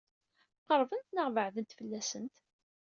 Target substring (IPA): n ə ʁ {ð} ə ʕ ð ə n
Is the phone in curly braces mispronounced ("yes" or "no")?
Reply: yes